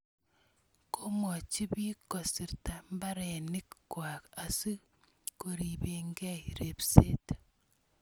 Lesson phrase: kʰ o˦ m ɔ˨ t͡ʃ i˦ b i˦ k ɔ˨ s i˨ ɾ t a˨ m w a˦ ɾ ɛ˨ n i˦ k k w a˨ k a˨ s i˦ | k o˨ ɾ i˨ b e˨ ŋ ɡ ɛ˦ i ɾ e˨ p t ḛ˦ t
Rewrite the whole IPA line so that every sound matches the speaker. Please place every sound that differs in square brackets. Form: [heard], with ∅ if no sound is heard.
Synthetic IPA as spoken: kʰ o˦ m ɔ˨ t͡ʃ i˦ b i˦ k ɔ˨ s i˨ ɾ t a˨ m [b] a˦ ɾ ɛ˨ n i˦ k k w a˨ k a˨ s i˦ | k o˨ ɾ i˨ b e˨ ŋ ɡ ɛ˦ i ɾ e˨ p [s] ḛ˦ t